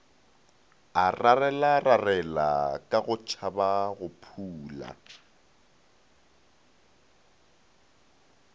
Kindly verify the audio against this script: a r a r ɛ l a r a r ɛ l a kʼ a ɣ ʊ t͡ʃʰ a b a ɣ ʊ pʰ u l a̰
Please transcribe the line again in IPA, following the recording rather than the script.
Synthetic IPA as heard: a r a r ɛ l a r a r ɛ l a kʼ a ɣ ʊ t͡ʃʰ a b a ɣ ʊ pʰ uː l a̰